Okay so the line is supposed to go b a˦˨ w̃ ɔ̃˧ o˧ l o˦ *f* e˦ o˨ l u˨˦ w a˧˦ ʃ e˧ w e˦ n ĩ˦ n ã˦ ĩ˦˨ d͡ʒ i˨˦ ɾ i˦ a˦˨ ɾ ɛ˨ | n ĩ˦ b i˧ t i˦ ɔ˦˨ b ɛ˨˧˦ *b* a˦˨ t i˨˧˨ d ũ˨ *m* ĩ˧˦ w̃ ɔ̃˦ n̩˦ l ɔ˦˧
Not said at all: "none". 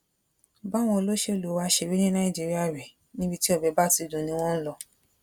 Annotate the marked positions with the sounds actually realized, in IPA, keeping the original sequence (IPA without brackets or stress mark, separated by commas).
ʃ, b, n